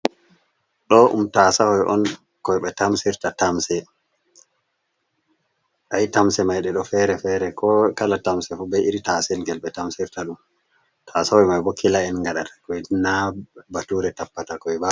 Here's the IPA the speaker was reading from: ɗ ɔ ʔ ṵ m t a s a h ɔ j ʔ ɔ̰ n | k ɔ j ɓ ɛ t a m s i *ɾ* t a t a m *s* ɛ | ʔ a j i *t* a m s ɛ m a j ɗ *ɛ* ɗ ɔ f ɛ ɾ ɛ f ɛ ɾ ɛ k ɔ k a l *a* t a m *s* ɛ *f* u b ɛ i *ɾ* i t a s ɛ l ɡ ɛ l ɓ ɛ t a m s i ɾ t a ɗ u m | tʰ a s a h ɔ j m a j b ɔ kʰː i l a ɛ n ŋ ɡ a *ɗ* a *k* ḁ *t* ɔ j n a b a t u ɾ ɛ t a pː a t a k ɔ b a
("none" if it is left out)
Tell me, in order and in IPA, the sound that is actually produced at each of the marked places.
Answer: ɾ, s, t, ɛ, a, s, f, ɾ, ɗ, t, k

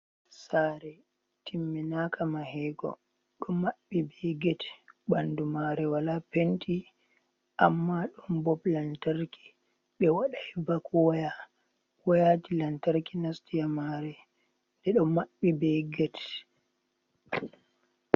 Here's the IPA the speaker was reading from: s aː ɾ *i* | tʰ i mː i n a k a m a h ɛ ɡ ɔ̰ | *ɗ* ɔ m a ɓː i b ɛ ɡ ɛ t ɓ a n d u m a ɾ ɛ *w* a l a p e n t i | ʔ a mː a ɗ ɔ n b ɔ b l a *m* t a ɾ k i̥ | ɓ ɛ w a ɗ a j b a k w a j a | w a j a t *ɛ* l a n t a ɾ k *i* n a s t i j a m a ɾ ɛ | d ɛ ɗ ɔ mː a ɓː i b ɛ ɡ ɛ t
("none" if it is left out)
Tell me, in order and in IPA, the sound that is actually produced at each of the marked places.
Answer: ɛ, ɗ, w, n, i, i

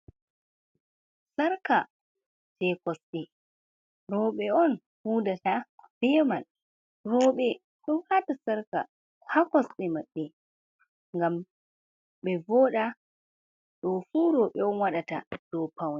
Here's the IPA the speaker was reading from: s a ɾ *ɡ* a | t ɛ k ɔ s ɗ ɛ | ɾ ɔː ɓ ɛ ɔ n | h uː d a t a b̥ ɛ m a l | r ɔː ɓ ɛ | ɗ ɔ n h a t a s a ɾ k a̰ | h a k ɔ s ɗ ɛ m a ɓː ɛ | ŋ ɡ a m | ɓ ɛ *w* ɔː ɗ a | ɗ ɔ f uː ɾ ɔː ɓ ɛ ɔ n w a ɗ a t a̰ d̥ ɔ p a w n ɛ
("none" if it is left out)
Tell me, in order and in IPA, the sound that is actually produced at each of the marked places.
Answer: k, v

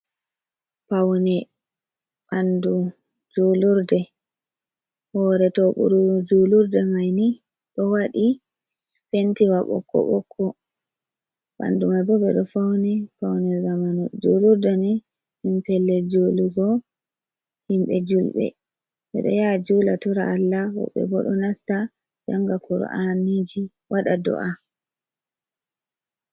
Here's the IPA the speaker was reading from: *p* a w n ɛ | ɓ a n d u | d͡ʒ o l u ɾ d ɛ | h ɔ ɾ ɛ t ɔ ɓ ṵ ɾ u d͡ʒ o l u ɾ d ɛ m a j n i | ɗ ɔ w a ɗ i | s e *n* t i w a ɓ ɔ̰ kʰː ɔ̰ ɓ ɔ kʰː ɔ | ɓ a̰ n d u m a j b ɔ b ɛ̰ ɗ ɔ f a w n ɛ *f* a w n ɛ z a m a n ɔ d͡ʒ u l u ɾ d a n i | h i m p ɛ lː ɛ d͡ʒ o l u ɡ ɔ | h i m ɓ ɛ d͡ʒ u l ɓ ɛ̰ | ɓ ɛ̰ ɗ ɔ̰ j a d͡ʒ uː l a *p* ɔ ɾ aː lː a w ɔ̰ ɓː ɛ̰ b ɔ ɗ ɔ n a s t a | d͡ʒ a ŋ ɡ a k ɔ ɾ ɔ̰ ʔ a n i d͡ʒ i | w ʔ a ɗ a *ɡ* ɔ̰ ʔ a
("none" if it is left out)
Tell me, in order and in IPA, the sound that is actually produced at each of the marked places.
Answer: p, n, f, t, d

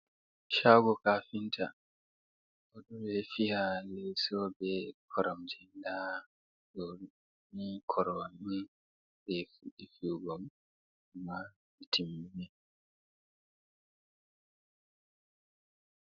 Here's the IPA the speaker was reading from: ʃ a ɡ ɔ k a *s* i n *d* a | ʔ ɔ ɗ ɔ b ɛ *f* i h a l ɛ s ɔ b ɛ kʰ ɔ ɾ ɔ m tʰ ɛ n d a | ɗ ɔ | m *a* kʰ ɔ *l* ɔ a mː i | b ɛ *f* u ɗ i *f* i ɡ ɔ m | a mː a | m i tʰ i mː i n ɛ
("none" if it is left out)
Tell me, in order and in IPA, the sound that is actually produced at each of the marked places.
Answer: f, t, f, i, ɾ, f, f

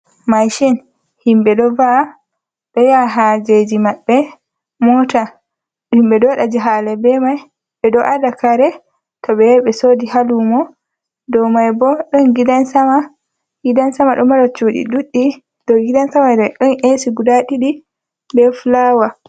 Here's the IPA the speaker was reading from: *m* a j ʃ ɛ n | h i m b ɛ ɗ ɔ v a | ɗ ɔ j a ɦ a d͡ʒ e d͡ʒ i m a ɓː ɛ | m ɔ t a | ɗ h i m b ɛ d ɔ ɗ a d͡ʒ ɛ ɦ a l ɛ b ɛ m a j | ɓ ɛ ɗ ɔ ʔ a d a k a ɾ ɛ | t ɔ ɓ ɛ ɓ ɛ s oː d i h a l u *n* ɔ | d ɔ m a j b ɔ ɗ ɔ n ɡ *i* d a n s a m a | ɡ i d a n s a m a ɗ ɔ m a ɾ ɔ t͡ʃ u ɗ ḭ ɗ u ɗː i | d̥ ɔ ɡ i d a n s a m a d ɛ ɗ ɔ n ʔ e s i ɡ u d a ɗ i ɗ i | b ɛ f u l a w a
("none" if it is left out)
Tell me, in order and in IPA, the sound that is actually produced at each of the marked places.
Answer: m, m, i

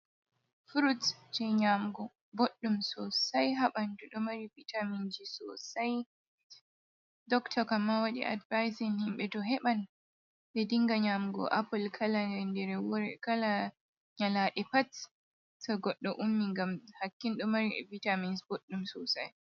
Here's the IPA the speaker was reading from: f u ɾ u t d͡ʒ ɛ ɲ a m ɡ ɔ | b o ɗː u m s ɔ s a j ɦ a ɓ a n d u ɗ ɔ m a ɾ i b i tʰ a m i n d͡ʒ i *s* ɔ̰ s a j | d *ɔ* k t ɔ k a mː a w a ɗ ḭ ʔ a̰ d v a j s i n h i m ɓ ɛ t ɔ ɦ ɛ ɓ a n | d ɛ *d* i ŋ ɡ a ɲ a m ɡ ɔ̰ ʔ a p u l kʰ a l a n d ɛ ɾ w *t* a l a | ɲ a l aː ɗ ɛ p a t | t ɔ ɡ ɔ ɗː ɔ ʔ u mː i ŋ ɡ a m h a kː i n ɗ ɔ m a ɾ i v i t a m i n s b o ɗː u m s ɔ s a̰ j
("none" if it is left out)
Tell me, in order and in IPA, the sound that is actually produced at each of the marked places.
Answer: s, ɔ, d, k

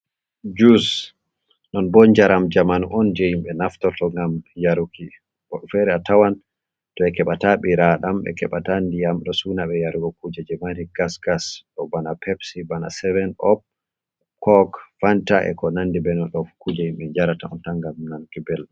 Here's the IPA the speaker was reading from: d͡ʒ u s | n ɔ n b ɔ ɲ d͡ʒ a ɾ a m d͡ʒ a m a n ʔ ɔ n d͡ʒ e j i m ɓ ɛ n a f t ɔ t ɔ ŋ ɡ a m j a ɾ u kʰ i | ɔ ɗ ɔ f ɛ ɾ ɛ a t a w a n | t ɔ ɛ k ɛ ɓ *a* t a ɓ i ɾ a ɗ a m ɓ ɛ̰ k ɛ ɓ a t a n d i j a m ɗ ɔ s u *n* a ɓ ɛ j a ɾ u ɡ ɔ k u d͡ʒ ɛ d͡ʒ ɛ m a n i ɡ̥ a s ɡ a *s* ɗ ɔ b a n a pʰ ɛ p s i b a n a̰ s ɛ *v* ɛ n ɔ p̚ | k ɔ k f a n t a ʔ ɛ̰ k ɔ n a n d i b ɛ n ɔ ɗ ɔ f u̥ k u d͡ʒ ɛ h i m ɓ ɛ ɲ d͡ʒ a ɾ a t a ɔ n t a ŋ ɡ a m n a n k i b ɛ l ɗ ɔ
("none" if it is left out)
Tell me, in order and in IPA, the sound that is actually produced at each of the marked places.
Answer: a, n, s, v

